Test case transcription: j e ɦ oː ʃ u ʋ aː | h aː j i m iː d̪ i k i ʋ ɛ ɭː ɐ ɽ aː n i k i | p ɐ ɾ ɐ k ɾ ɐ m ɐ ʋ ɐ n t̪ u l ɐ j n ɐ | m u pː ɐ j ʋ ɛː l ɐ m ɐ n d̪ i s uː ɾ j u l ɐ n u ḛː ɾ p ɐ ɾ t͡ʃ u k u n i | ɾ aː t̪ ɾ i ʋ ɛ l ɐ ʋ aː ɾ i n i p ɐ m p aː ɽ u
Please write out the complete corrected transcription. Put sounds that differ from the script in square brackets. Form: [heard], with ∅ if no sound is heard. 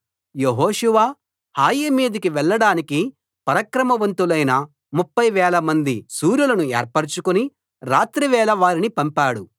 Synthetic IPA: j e ɦ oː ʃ u ʋ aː | h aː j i m iː d̪ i k i ʋ ɛ ɭː ɐ ɽ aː n i k i | p ɐ ɾ ɐ k ɾ ɐ m ɐ ʋ ɐ n t̪ u l ɐ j n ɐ | m u pː ɐ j ʋ ɛː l ɐ m ɐ n d̪ i s uː ɾ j u l ɐ n u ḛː ɾ p ɐ ɾ t͡ʃ u k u n i | ɾ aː t̪ ɾ i ʋ [ɛː] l ɐ ʋ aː ɾ i n i p ɐ m p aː ɽ u